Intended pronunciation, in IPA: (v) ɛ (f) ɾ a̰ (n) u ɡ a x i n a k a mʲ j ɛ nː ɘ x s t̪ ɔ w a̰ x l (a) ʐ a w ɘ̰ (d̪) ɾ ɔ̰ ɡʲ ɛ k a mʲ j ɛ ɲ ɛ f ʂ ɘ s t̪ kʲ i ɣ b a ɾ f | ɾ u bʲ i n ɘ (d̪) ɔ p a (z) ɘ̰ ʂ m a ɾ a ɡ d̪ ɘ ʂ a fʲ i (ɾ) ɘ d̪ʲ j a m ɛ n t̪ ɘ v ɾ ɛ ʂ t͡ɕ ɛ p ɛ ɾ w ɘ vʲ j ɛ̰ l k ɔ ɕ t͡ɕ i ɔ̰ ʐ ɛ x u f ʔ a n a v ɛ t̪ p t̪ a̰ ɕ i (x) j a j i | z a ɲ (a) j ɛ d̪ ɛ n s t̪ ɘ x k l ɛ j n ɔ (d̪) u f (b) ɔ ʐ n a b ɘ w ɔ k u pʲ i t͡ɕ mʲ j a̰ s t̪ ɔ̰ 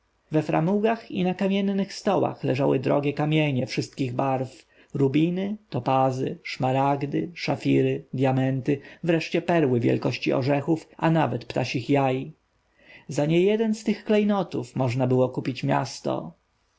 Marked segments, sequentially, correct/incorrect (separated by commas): correct, correct, incorrect, incorrect, correct, incorrect, correct, correct, correct, incorrect, incorrect, incorrect